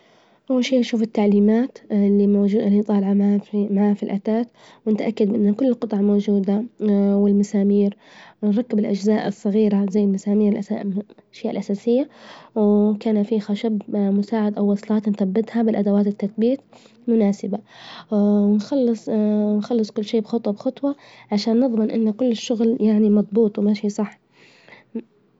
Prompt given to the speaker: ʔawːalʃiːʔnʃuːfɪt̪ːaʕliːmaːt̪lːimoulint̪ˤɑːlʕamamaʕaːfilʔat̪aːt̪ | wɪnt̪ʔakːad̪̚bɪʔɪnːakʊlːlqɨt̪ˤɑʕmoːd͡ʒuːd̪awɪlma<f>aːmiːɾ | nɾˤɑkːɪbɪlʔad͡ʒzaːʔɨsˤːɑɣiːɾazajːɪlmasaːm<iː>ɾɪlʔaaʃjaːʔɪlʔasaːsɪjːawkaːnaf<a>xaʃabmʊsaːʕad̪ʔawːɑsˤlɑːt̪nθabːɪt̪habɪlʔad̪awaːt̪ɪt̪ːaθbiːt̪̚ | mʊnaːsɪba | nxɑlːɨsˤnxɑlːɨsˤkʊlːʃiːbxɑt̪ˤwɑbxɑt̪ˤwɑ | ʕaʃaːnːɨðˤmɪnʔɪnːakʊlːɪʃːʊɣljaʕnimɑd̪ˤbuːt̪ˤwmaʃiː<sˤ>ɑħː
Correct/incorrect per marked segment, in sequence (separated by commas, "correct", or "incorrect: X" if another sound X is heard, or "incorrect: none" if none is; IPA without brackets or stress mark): incorrect: s, correct, incorrect: i, correct